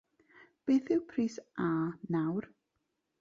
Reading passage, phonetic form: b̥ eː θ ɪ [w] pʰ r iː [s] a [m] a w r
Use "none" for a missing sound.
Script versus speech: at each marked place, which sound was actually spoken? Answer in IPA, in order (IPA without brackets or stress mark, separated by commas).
w, s, n